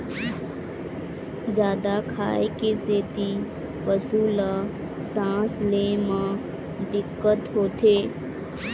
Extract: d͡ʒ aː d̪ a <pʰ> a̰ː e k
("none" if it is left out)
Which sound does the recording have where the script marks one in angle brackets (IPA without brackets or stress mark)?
kʰ